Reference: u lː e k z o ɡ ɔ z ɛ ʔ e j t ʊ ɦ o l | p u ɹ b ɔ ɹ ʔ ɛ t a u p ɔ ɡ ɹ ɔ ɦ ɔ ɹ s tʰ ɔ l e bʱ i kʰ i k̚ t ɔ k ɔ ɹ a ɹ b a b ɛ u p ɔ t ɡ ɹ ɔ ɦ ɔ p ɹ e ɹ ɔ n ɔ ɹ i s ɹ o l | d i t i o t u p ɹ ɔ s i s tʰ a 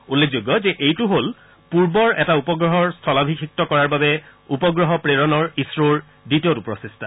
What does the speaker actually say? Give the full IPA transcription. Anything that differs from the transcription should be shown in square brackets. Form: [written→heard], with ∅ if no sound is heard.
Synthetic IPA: u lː e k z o ɡ ɔ z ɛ ʔ e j t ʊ ɦ o l | p u ɹ b ɔ ɹ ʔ ɛ t a u p ɔ ɡ ɹ ɔ ɦ ɔ ɹ s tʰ ɔ l [e→a] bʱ i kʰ i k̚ t ɔ k ɔ ɹ a ɹ b a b ɛ u p ɔ [t→∅] ɡ ɹ ɔ ɦ ɔ p ɹ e ɹ ɔ n ɔ ɹ i s ɹ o [l→ɹ] | d i t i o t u p ɹ ɔ s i s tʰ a